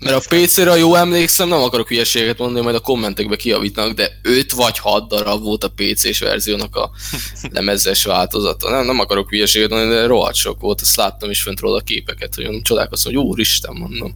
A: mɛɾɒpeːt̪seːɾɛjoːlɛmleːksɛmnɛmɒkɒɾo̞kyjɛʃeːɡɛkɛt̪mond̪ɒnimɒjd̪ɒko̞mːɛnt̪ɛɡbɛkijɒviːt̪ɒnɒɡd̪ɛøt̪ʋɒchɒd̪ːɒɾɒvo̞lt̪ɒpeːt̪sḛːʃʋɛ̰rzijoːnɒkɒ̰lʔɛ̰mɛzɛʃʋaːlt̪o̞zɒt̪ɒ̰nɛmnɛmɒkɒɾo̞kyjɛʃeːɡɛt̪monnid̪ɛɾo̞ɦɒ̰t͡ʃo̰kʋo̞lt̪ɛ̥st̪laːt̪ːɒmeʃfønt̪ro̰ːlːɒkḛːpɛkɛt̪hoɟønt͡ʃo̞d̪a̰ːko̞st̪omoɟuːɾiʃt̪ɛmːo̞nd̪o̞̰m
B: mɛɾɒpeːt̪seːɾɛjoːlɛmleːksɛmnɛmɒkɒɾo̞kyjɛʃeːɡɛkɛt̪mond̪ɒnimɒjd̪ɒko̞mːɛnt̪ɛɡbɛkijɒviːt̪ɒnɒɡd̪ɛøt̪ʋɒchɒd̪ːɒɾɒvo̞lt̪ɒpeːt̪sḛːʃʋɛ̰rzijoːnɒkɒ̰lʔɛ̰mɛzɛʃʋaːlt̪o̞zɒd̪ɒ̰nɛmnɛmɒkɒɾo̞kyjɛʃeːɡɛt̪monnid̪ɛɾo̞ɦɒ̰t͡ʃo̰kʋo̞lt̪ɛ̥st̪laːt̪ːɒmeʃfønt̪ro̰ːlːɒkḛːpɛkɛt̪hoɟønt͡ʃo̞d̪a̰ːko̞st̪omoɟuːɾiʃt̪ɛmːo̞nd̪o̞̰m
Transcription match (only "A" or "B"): A